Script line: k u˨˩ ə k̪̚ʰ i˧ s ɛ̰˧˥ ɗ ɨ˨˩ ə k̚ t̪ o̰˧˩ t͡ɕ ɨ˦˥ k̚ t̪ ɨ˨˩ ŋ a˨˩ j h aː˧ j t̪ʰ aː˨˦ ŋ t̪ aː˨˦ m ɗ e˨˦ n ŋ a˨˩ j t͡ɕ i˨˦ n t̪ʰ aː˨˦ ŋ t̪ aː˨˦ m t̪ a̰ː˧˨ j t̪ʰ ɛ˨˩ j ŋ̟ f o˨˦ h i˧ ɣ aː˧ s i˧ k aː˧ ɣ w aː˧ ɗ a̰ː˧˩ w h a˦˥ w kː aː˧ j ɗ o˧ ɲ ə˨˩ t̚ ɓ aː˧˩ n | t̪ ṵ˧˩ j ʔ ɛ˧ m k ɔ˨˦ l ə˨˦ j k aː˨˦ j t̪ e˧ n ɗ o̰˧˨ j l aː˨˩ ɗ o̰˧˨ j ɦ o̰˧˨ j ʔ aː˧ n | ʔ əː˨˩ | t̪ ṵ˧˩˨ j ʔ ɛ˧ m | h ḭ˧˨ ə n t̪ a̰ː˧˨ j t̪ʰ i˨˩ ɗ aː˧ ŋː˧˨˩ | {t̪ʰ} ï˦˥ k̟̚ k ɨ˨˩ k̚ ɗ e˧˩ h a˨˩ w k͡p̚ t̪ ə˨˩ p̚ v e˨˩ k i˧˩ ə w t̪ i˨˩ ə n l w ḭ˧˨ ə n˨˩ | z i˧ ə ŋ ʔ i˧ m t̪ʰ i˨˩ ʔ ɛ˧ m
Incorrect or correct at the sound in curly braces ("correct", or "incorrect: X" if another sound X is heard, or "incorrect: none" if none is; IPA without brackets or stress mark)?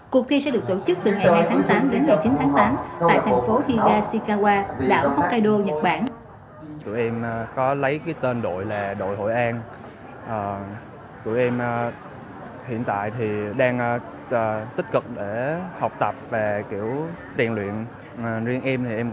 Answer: incorrect: t̪